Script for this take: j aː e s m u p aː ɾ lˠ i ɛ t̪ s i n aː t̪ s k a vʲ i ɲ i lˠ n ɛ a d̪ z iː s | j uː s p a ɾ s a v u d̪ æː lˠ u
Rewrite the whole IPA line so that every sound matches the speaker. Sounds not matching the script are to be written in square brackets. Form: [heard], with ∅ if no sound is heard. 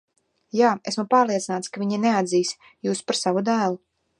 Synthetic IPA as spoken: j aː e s m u p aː ɾ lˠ i ɛ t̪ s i n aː t̪ s k a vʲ i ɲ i [∅] n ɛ a d̪ z iː s | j uː s p a ɾ s a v u d̪ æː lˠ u